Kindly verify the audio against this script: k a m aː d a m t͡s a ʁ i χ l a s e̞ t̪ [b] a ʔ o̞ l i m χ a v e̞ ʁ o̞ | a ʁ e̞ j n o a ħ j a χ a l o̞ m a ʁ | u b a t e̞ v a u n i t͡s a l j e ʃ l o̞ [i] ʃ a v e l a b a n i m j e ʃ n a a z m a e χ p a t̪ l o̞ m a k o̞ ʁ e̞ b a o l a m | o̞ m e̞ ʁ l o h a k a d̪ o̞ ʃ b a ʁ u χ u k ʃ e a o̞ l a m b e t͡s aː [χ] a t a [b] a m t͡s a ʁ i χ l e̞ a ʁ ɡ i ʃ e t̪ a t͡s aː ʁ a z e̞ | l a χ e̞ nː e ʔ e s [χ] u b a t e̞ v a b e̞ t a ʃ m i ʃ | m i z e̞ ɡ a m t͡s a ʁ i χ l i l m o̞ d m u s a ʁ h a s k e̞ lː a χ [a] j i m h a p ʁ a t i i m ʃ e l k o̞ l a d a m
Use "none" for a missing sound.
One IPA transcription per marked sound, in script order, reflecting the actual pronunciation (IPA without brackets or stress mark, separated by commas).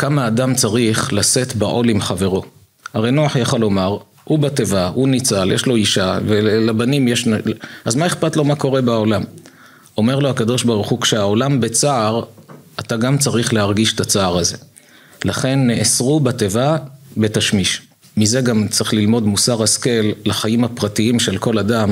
b, i, ʁ, ɡ, ʁ, a